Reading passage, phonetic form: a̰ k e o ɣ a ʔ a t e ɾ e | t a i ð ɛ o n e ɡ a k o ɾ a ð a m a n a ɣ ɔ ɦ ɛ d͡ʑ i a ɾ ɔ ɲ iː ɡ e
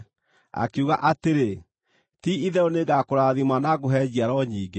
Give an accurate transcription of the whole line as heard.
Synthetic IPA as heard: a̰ k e u ɣ a ʔ a t e ɾ e | t i i ð ɛ o n e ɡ a k o ɾ a ð i m a n a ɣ o ɦ ɛ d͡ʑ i a ɾ ɔ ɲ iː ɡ e